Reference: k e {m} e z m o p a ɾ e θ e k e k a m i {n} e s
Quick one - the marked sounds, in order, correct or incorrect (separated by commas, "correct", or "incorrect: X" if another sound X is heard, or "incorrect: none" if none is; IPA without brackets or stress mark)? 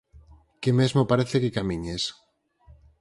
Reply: correct, incorrect: ɲ